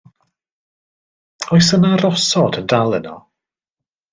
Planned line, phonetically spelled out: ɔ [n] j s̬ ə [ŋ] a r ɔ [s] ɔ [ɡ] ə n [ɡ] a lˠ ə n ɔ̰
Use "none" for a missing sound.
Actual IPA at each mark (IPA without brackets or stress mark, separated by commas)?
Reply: none, n, s, d, d